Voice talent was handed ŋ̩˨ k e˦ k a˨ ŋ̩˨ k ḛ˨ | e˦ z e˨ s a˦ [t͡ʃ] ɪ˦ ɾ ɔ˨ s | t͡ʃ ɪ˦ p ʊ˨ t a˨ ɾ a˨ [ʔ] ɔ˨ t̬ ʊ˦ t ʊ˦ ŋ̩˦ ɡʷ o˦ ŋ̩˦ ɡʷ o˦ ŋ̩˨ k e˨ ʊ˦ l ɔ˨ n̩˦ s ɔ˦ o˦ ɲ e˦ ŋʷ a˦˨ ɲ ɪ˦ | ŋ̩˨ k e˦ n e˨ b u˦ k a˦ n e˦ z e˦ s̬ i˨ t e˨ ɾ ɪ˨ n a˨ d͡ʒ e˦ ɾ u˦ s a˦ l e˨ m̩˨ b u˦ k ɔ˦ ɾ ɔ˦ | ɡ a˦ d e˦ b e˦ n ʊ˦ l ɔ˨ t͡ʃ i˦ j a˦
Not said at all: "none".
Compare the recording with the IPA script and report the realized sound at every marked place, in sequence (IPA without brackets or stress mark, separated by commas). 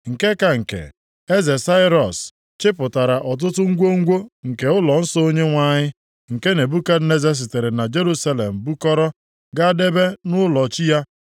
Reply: none, ʔ